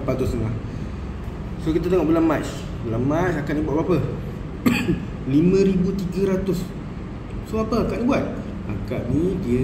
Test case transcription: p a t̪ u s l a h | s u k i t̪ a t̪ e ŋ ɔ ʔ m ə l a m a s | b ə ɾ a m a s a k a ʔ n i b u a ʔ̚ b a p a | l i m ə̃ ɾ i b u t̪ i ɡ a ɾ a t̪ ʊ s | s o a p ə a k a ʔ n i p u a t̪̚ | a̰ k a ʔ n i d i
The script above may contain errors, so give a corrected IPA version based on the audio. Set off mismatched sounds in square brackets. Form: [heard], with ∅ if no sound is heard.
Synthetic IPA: p a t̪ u s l a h | s [o] k i t̪ a t̪ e ŋ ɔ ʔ [b] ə l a m a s | b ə [l] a m a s a k a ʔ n i b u a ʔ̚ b a p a | l i m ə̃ ɾ i b u t̪ i ɡ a ɾ a t̪ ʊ s | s o a p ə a k a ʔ n i [b] u a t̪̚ | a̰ k a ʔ n i d i